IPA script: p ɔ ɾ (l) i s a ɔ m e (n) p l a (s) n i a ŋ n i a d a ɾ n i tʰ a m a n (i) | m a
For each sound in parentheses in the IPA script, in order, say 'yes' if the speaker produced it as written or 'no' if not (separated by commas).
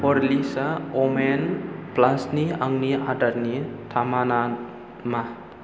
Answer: yes, yes, yes, no